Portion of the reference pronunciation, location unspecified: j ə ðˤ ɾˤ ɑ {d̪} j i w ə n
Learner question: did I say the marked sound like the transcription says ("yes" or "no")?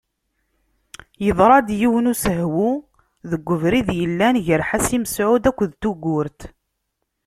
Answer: yes